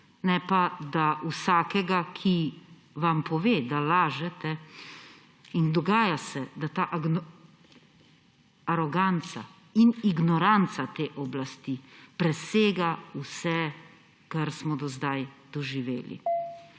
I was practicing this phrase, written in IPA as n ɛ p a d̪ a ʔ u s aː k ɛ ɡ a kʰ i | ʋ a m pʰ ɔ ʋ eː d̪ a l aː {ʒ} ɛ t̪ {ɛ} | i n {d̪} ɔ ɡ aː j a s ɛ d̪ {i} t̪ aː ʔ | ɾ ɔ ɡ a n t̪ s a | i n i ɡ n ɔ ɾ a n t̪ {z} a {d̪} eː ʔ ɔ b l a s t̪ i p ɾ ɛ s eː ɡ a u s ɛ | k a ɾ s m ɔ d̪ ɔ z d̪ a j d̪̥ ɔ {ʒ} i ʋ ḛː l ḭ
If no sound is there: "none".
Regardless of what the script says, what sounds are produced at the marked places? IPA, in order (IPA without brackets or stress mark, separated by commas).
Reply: ʒ, ɛ, d̪, a, s, t̪, ʒ